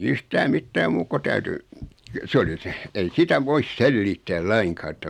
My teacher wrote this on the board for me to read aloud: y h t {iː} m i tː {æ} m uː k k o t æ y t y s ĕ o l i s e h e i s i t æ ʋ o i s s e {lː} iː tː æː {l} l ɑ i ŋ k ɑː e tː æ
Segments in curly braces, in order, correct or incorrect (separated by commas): incorrect, incorrect, correct, correct